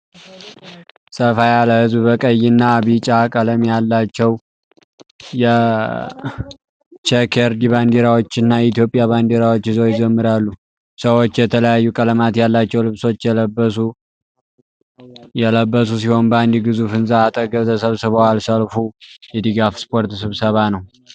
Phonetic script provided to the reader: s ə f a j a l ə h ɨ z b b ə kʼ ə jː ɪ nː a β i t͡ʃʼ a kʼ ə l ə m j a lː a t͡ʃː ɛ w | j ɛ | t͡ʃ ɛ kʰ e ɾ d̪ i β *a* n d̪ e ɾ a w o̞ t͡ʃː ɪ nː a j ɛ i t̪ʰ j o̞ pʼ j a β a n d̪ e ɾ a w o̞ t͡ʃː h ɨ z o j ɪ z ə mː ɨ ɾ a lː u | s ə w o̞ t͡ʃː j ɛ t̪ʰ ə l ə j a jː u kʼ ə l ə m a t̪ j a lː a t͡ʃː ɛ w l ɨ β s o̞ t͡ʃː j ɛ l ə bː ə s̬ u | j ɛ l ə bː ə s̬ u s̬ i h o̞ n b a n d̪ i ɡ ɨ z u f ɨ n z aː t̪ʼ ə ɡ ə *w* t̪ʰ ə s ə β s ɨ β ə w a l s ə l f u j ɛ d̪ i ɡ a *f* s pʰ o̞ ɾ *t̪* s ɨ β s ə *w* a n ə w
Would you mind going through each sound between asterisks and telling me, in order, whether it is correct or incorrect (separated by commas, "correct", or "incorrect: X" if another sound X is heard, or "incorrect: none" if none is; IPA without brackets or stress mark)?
correct, incorrect: β, correct, correct, incorrect: β